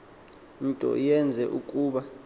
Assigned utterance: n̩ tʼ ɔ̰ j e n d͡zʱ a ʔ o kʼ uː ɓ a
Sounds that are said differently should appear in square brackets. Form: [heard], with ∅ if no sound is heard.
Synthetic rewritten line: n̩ tʼ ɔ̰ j [ɛ] n d͡zʱ [ɛ] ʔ [u] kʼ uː ɓ a